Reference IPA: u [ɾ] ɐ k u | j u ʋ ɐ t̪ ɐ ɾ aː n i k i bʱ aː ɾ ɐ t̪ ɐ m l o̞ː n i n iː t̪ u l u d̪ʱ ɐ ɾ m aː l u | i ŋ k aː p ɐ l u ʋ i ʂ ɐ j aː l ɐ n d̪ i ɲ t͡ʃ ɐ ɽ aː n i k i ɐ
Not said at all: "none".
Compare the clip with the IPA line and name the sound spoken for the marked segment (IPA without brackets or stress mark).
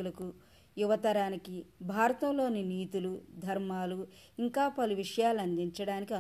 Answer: l